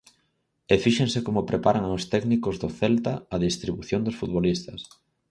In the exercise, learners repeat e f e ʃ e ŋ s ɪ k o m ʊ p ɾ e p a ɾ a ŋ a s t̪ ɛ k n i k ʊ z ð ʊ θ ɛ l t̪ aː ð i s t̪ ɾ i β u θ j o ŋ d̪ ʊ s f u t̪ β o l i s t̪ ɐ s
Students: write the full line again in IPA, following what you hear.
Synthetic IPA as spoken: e f i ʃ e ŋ s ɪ k o m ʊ p ɾ e p a ɾ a ŋ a s t̪ ɛ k n i k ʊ z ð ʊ θ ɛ l t̪ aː ð i s t̪ ɾ i β u θ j o n d̪ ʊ s f u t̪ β o l i s t̪ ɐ s